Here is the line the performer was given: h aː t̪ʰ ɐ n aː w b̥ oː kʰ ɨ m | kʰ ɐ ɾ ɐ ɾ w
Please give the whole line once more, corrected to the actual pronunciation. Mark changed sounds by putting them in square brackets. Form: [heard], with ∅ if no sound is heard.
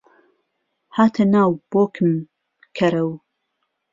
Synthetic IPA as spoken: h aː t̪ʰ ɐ n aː w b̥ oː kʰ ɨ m | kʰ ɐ ɾ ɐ [∅] w